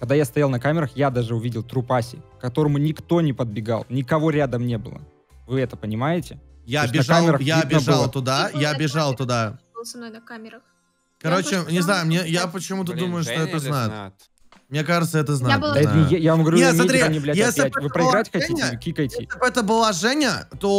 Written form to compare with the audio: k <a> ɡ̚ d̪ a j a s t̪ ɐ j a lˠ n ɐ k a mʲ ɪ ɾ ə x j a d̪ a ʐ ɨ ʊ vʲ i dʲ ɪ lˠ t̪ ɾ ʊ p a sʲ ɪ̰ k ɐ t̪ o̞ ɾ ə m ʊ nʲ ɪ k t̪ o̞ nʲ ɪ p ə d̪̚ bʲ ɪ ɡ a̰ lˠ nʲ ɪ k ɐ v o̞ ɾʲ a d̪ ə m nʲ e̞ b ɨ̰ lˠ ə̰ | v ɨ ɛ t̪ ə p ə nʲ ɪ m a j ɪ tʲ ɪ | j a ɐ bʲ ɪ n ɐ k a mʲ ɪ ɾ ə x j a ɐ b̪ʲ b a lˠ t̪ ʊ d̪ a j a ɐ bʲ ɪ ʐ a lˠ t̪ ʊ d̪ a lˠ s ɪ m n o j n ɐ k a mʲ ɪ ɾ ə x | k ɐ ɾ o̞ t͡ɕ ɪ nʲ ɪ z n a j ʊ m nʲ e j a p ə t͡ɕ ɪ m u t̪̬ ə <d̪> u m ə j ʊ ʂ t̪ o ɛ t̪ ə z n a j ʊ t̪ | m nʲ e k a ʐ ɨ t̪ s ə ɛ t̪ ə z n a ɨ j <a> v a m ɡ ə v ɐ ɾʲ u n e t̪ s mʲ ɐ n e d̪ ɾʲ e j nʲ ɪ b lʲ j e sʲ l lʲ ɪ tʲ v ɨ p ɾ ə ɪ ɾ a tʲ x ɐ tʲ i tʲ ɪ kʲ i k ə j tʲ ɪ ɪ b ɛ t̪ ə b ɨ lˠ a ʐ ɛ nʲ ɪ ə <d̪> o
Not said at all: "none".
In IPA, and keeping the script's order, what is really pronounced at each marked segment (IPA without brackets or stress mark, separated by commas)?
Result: ɐ, d̪, a, t̪